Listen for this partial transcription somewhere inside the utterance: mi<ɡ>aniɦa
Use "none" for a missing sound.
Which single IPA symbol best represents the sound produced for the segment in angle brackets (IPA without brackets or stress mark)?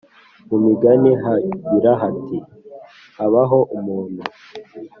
ɡ